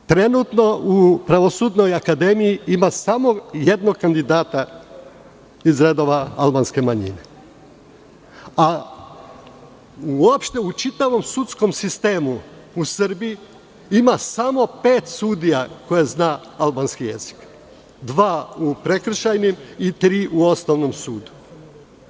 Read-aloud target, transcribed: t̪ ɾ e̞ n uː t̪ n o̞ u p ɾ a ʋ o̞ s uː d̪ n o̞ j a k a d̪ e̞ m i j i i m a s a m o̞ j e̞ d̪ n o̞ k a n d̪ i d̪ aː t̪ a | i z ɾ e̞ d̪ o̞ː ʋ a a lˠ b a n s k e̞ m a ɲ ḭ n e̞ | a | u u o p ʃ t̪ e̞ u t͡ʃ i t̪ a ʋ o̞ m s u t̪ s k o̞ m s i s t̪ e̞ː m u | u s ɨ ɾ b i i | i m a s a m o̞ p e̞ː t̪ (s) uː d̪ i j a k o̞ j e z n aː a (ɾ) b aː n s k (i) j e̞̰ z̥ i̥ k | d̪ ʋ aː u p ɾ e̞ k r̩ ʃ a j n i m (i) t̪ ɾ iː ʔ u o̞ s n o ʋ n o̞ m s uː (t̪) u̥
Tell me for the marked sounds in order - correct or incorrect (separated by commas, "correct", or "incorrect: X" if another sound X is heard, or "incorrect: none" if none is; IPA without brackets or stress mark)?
correct, incorrect: l, correct, correct, incorrect: d̪